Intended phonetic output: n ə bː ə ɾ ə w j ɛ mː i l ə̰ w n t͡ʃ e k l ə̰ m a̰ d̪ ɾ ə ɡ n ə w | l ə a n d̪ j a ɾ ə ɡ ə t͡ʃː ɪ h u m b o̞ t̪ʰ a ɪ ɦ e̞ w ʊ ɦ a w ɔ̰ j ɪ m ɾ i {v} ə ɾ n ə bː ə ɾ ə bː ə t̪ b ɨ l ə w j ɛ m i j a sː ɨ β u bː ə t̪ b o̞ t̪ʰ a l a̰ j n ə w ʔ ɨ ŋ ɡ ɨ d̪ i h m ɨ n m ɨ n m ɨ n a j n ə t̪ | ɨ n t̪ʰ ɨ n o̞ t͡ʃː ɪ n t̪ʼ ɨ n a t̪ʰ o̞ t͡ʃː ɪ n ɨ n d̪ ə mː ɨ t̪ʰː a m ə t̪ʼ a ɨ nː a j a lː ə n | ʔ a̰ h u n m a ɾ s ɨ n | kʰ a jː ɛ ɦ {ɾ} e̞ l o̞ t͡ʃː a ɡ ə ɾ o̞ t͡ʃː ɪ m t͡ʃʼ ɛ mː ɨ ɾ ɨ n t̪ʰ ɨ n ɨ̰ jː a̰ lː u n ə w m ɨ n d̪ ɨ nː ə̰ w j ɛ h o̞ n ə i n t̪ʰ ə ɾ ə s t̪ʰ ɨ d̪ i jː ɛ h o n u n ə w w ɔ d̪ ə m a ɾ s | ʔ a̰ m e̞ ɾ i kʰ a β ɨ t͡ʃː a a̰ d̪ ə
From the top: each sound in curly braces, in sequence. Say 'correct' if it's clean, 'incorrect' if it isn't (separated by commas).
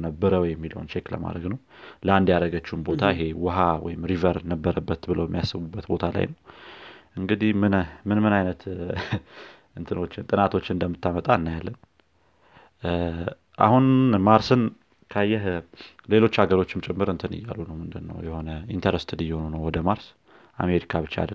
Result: correct, incorrect